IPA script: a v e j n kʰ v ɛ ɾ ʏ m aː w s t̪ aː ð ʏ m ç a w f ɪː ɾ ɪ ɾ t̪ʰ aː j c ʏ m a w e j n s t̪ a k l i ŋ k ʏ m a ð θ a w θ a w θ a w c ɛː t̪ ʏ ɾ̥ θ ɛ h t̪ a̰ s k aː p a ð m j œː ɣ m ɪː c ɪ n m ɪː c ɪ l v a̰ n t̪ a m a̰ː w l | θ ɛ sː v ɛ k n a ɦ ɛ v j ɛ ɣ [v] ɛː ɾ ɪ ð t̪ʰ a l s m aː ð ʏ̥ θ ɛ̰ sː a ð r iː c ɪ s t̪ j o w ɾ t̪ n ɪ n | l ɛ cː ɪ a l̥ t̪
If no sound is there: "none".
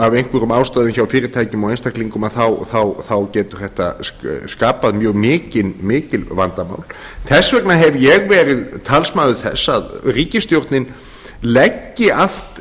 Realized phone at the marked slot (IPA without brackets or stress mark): v